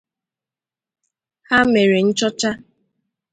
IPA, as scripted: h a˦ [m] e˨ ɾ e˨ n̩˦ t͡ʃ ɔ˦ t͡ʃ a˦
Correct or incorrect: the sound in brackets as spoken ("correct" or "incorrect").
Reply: correct